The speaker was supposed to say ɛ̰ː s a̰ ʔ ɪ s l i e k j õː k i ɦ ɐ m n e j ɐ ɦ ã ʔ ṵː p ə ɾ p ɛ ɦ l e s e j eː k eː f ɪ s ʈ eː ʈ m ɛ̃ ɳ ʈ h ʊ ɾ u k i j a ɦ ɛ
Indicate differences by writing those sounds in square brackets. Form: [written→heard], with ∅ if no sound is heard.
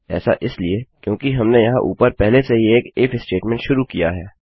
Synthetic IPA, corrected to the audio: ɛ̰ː s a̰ ʔ ɪ s l i e k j õː k i ɦ ɐ m n e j ɐ ɦ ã ʔ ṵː p ə ɾ p ɛ ɦ l e s e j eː k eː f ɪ s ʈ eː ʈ m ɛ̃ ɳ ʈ [h→ʃ] ʊ ɾ u k i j a ɦ [ɛ→ɛː]